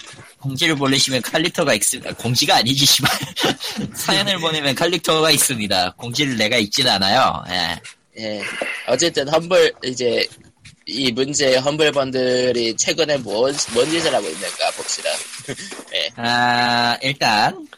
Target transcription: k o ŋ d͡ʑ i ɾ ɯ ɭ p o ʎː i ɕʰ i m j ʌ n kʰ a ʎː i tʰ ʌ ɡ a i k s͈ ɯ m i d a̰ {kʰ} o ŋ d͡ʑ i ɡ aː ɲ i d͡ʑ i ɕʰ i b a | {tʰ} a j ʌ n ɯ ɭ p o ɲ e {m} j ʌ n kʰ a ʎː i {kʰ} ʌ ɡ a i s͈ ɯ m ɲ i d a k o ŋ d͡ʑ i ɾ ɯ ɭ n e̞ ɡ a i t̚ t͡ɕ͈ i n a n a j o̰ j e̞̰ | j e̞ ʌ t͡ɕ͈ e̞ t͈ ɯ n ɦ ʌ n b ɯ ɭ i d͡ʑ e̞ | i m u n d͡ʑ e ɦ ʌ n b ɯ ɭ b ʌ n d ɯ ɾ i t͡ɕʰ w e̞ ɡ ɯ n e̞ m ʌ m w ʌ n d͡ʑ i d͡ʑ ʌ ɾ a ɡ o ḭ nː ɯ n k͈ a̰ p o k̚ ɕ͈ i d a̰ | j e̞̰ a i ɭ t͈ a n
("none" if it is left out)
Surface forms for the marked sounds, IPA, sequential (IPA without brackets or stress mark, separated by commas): k, sʰ, m, tʰ